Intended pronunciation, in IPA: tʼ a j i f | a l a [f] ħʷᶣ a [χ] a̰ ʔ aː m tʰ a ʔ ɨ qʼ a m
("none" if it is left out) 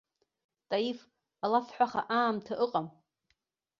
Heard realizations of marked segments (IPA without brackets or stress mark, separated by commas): f, χ